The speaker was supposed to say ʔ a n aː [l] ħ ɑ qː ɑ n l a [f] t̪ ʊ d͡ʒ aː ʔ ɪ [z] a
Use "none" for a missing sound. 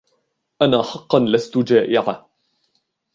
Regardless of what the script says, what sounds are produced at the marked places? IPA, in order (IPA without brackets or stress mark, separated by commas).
none, s, ʕ